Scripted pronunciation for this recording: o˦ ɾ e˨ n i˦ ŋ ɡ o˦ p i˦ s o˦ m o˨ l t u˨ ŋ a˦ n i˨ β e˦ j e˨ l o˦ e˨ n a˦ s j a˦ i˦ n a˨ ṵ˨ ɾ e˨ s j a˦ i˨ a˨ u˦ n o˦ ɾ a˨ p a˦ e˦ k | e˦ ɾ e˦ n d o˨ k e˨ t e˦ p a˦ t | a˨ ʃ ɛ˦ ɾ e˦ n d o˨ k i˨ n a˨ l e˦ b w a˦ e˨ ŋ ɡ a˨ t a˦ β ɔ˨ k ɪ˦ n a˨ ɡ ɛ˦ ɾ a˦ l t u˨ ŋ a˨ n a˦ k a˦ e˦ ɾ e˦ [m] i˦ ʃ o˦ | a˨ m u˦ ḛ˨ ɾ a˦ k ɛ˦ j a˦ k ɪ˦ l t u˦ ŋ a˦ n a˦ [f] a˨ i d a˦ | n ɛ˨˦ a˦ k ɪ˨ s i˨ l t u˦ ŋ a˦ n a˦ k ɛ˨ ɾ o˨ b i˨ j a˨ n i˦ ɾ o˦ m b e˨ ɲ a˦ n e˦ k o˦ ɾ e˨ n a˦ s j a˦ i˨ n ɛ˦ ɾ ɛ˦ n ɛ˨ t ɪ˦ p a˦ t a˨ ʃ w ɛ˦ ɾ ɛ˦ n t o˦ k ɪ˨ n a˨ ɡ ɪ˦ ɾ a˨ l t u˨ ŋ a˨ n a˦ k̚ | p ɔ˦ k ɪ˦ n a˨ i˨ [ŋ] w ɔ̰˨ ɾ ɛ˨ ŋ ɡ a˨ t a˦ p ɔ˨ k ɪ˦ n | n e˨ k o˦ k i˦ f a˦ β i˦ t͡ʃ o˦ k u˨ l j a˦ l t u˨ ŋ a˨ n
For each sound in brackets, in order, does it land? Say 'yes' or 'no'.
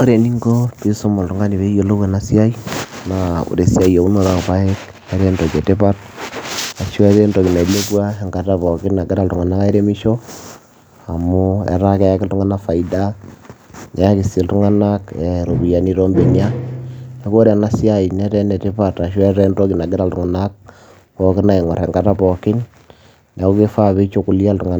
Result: yes, yes, yes

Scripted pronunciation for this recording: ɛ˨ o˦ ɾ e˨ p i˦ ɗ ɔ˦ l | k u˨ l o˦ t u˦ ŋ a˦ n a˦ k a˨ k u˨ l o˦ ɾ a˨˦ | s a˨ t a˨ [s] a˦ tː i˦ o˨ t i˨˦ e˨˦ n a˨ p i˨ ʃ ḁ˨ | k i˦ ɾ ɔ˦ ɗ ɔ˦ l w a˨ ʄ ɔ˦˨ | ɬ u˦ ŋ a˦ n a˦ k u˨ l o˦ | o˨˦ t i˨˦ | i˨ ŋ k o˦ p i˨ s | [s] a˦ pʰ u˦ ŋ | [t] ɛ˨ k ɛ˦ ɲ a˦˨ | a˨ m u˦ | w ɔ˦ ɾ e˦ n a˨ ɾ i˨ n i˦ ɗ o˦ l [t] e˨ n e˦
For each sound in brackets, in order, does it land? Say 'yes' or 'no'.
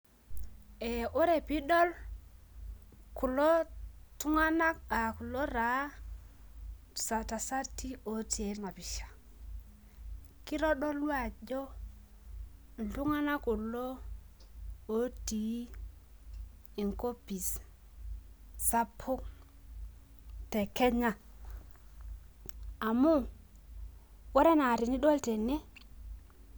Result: yes, yes, yes, yes

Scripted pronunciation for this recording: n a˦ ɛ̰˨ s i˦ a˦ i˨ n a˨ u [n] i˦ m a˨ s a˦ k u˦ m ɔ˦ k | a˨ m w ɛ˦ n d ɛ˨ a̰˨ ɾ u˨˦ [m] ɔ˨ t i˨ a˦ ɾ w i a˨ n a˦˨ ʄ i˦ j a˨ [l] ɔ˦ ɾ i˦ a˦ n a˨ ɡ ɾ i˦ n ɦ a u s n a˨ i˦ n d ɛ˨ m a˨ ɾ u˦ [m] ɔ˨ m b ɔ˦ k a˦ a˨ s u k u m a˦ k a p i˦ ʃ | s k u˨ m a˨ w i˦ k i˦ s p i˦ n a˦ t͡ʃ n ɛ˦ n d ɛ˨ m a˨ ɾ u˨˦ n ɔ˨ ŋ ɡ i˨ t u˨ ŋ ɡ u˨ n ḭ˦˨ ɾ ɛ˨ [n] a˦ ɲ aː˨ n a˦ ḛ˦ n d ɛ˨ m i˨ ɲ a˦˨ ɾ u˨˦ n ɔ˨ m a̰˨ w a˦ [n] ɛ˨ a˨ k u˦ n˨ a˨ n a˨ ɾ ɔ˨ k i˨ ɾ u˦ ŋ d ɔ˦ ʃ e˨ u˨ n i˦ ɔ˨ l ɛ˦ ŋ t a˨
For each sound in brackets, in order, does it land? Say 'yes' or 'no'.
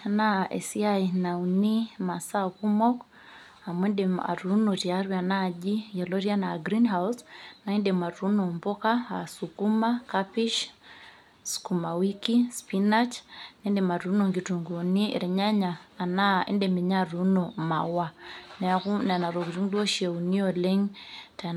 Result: yes, no, yes, no, no, yes

